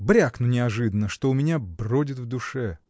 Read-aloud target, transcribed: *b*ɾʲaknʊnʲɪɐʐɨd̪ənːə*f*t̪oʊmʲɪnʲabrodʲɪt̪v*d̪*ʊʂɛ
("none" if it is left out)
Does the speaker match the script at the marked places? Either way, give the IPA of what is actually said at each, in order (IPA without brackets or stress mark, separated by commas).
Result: b, ʂ, d̪